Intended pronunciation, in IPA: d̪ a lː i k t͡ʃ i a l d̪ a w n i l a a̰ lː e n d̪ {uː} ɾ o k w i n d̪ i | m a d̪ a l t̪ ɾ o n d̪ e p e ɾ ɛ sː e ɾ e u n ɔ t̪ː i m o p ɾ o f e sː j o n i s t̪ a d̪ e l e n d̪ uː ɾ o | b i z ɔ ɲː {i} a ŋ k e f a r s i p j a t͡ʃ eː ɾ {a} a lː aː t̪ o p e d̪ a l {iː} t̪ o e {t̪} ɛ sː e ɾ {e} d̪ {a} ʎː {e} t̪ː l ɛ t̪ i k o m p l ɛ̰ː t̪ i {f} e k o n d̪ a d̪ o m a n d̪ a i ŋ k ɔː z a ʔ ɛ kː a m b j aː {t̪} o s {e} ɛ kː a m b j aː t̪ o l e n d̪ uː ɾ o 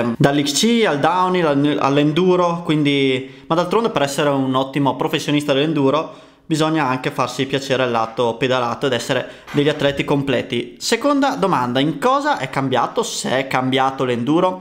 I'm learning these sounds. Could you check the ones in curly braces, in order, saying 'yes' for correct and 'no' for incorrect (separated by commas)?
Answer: yes, no, no, no, no, yes, no, no, no, yes, yes